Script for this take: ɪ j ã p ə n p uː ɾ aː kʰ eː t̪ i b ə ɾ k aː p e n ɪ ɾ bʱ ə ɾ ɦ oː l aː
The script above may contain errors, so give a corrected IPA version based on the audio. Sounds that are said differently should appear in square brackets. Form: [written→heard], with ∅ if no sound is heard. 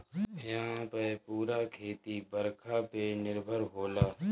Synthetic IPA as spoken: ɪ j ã p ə [n→∅] p uː ɾ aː kʰ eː t̪ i b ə ɾ [k→kʰ] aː p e n ɪ ɾ bʱ ə ɾ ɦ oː l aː

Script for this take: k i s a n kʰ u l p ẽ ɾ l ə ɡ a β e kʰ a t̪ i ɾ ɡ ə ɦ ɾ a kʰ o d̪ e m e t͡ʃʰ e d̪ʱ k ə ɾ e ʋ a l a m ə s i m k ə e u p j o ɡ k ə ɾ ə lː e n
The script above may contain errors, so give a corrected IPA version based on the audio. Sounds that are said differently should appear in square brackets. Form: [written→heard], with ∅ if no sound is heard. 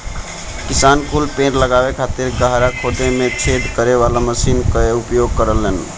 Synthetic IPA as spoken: k i s a n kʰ u l p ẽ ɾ l ə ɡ a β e kʰ a t̪ i ɾ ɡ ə ɦ ɾ a kʰ o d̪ e m e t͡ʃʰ e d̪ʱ k ə ɾ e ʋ a l a m ə s i [m→n] k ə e u p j o ɡ k ə ɾ ə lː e n

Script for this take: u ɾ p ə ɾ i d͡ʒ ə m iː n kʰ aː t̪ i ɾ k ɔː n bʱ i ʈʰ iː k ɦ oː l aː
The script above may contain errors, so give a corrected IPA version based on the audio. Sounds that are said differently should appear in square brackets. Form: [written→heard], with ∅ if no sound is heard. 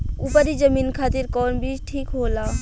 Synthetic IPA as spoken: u [ɾ→∅] p ə ɾ i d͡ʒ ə m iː n kʰ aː t̪ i ɾ k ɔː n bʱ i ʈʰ iː k ɦ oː l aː

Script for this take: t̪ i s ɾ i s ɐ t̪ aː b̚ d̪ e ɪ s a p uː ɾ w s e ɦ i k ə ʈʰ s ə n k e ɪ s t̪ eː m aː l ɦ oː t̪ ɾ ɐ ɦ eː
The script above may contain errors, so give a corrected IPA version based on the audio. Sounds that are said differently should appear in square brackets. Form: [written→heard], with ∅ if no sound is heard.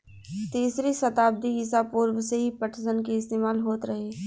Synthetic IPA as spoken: t̪ [i→iː] s ɾ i s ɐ t̪ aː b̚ d̪ [e→i] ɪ s a p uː ɾ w s e ɦ i [k→p] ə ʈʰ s ə n k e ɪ s t̪ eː m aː l ɦ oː t̪ ɾ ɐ ɦ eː

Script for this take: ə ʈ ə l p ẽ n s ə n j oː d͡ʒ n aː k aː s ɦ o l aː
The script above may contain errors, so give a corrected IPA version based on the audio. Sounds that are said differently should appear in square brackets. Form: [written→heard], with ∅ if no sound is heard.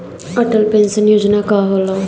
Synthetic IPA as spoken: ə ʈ ə l p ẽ n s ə n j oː d͡ʒ n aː k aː [s→∅] ɦ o l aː

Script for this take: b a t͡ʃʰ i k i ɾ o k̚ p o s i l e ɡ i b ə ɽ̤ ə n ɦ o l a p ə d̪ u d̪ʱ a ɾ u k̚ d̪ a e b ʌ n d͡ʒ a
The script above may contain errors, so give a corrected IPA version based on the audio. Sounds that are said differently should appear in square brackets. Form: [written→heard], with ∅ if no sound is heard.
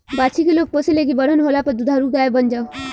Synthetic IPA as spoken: b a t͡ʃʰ i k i [ɾ→l] o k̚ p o s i l e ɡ i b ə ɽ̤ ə n ɦ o l a p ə d̪ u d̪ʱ a ɾ u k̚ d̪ a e b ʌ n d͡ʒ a

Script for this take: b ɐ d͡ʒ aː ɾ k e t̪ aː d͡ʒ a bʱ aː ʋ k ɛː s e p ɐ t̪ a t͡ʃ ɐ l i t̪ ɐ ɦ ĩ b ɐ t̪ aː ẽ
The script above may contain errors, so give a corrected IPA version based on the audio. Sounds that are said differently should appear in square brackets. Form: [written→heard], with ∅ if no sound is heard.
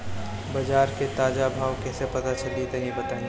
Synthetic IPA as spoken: b ɐ d͡ʒ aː ɾ k e t̪ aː d͡ʒ a bʱ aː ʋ k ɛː s e p ɐ t̪ a t͡ʃ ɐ l i t̪ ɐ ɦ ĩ b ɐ t̪ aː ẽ

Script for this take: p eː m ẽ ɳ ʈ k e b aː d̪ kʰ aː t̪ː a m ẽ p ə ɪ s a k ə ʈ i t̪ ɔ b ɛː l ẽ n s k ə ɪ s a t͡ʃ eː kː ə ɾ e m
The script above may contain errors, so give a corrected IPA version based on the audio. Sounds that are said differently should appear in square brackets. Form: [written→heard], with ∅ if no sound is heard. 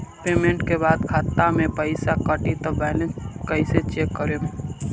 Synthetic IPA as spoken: p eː m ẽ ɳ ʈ k e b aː d̪ kʰ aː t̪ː a m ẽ p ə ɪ s a k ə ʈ i t̪ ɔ b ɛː l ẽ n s k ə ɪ s [a→e] t͡ʃ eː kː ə ɾ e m

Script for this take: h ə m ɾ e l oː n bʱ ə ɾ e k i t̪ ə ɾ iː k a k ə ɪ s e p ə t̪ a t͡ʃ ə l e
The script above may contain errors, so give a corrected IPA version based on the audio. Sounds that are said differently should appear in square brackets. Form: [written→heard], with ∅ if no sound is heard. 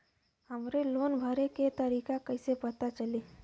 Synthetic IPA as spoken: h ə m ɾ e l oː n bʱ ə ɾ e k [i→e] t̪ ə ɾ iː k a k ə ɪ s e p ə t̪ a t͡ʃ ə l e

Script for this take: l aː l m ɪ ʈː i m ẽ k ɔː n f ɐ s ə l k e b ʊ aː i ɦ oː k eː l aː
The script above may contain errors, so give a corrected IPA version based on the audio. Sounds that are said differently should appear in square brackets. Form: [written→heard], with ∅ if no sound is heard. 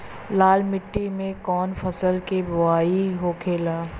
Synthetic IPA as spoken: l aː l m ɪ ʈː i m ẽ k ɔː n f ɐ s ə l k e b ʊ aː i ɦ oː [k→kʰ] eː l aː

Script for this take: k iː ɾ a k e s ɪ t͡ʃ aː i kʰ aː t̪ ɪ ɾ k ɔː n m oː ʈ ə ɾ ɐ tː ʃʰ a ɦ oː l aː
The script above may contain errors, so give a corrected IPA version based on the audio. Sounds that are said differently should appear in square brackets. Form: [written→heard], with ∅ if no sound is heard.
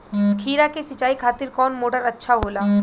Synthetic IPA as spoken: [k→kʰ] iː ɾ a k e s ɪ t͡ʃ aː i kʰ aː t̪ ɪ ɾ k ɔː n m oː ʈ ə ɾ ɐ tː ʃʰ a ɦ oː l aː

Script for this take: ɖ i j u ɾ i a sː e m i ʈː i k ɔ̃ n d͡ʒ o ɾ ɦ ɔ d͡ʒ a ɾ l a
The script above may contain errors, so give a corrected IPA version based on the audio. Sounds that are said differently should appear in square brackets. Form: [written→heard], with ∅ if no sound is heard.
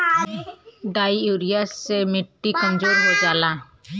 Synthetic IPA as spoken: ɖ [i→a] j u ɾ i a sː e m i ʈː i k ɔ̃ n d͡ʒ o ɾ ɦ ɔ d͡ʒ a [ɾ→∅] l a

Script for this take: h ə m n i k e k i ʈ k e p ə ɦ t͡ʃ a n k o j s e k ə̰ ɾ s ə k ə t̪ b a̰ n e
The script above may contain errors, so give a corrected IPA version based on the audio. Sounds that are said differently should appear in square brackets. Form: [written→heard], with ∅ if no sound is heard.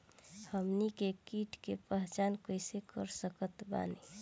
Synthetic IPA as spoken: h ə m n i k e k i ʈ k e p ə ɦ t͡ʃ a n k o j s e k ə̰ ɾ s ə k ə t̪ b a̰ n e

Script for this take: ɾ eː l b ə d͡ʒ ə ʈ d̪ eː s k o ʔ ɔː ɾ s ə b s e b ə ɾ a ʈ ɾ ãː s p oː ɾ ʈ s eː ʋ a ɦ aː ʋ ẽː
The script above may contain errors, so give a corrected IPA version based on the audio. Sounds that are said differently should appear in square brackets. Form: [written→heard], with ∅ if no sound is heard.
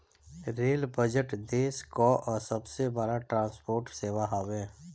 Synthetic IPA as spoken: ɾ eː l b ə d͡ʒ ə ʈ d̪ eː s k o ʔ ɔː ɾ s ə b s e b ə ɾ a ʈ ɾ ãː s p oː ɾ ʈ s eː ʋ a ɦ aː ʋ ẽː

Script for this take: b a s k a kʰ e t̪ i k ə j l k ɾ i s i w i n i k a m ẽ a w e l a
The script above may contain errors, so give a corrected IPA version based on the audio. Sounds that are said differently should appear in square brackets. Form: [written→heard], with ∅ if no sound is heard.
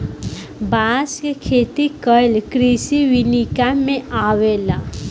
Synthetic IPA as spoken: b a s k [a→e] kʰ e t̪ i k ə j l k ɾ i s i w i n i k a m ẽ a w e l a

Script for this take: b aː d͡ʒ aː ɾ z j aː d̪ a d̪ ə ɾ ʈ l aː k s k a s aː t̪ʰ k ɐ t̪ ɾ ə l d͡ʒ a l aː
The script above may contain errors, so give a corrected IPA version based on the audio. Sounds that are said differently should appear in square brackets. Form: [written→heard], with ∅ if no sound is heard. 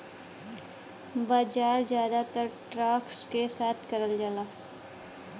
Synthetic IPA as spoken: b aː d͡ʒ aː ɾ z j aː d̪ a [d̪→t̪] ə ɾ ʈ [l→ɾ] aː k s k [a→e] s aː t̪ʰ k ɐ [t̪→∅] ɾ ə l d͡ʒ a l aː

